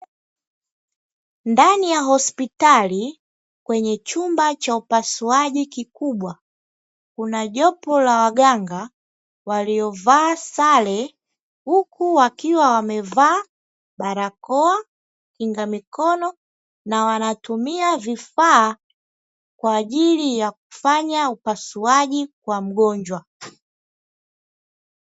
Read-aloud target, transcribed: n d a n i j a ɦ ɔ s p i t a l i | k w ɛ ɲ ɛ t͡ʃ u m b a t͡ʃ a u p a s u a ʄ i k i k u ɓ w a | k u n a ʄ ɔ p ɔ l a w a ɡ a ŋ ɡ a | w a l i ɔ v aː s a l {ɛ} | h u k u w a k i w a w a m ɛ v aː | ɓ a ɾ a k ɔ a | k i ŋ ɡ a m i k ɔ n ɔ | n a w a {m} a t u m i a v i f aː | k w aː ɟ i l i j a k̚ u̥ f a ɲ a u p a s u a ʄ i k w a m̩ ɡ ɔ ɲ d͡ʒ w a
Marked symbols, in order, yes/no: yes, no

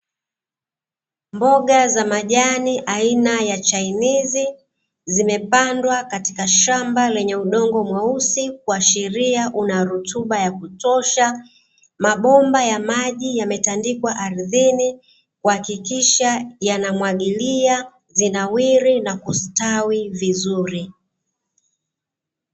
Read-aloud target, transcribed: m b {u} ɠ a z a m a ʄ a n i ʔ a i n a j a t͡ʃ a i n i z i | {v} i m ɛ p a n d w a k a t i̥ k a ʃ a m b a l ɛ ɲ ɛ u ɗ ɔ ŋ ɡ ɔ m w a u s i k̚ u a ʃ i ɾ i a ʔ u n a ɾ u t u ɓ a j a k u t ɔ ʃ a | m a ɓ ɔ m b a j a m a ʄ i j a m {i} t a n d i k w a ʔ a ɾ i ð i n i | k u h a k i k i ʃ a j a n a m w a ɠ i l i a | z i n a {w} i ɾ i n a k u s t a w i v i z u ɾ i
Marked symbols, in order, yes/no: no, no, no, yes

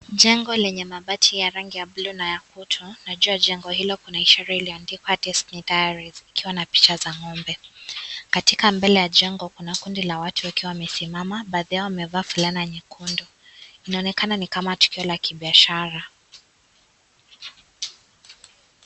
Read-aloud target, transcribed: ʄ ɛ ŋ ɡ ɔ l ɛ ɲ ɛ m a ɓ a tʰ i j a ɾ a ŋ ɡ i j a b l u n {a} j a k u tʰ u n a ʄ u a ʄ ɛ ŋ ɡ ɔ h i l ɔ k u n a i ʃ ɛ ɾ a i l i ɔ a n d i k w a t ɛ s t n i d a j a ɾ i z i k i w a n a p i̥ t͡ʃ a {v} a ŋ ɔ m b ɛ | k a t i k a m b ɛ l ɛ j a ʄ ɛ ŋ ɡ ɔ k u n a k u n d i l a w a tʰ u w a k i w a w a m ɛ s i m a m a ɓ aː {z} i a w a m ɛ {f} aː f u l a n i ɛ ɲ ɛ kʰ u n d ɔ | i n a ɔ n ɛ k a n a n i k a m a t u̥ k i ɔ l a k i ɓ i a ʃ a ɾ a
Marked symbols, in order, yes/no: yes, no, no, no

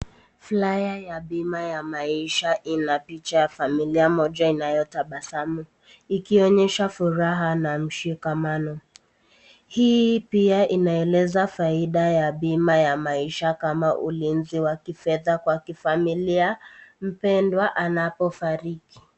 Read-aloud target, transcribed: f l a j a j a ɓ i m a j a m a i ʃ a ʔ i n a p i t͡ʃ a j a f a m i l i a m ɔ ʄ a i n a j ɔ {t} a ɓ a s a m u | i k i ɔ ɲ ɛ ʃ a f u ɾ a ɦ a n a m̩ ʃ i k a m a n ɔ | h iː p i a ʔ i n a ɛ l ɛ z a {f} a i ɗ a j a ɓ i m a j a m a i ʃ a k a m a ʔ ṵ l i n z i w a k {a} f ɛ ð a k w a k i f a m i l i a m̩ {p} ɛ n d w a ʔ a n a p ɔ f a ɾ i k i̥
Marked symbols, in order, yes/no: yes, yes, no, yes

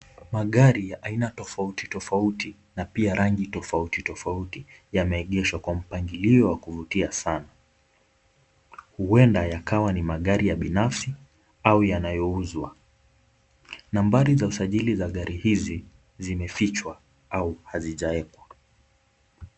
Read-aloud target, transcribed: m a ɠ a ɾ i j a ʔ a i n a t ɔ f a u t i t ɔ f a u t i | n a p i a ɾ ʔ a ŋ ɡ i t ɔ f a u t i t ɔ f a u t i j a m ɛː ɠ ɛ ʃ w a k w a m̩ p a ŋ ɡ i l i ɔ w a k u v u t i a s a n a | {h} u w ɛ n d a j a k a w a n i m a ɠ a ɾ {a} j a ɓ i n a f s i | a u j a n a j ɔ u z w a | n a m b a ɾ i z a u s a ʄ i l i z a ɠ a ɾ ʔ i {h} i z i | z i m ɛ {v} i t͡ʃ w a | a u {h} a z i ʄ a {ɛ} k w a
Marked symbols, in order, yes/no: yes, no, yes, no, yes, yes

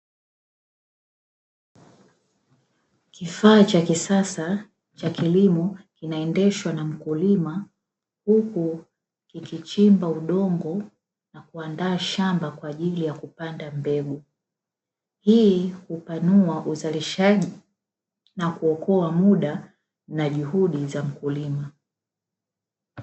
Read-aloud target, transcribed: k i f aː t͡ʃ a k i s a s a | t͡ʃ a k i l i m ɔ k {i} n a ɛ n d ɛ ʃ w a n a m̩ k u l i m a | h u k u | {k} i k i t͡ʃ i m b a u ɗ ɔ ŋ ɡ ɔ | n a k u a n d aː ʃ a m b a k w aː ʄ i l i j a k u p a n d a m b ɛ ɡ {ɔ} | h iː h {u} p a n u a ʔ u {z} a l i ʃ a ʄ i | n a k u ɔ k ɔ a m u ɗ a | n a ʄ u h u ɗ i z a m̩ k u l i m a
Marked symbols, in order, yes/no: yes, yes, no, yes, yes

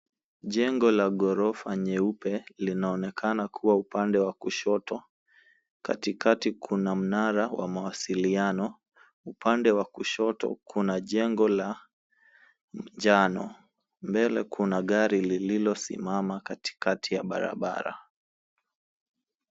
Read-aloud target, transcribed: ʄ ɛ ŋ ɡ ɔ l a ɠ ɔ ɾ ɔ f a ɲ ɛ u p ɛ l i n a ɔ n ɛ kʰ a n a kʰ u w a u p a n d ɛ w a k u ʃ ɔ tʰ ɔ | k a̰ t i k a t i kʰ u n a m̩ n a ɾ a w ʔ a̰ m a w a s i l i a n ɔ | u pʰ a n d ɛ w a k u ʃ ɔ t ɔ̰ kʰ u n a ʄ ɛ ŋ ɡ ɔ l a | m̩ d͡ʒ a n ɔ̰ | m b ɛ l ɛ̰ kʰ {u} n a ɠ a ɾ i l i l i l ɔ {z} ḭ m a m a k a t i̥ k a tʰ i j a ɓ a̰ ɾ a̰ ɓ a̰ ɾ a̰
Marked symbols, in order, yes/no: yes, no

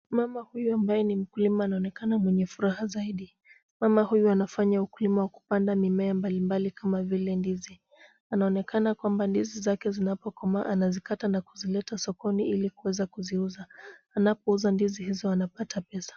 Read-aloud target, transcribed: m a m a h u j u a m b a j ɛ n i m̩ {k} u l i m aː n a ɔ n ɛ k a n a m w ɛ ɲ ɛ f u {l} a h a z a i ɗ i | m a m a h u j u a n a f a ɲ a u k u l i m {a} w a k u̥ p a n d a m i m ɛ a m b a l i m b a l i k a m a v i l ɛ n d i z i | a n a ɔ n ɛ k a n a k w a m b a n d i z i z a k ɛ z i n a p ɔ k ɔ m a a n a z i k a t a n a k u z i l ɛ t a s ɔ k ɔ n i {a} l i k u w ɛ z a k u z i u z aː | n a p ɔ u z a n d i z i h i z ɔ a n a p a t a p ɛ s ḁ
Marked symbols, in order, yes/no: yes, no, yes, no

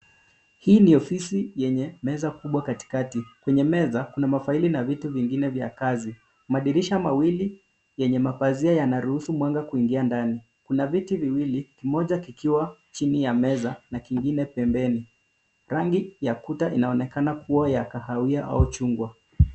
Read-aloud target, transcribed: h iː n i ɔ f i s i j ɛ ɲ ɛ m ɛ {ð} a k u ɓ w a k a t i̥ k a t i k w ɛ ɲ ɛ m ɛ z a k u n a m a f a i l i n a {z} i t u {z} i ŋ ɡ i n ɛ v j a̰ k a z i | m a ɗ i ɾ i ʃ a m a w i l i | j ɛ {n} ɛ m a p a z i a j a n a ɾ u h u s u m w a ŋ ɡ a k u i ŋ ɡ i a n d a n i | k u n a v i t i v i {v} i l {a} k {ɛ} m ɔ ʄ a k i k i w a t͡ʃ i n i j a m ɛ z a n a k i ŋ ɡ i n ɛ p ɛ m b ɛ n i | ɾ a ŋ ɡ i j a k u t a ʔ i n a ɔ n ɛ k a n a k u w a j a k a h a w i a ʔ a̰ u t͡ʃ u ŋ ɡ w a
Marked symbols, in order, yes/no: no, no, no, no, no, no, no

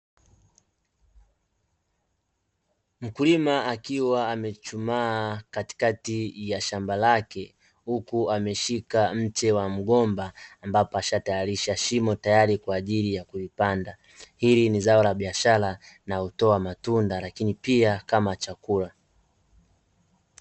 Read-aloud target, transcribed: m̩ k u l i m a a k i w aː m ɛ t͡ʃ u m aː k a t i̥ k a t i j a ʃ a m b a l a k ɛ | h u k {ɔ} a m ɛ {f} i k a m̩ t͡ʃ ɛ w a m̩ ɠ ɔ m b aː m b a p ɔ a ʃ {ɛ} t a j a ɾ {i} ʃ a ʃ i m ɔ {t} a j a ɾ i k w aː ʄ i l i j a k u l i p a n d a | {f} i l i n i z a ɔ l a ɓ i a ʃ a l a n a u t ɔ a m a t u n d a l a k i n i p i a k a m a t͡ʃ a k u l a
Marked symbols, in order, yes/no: no, no, no, yes, yes, no

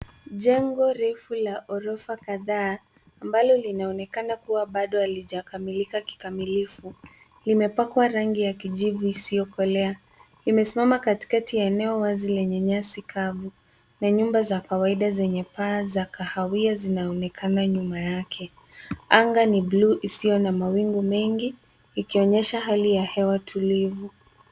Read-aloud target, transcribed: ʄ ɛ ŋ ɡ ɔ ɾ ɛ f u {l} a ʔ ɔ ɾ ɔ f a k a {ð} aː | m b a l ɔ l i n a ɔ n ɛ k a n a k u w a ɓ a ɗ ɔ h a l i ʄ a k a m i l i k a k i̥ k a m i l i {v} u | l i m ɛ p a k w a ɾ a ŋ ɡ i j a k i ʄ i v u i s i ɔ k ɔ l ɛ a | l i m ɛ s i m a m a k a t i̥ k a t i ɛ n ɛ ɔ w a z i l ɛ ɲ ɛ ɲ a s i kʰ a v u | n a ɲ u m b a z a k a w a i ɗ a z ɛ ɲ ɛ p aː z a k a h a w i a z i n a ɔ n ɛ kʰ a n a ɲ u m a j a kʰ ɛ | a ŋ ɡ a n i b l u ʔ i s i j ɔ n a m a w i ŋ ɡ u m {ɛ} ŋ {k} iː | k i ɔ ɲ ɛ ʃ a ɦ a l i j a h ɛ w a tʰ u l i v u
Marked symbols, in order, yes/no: yes, yes, no, yes, no

